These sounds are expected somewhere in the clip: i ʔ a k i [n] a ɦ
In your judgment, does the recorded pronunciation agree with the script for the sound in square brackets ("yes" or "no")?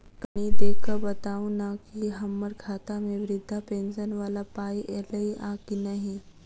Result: yes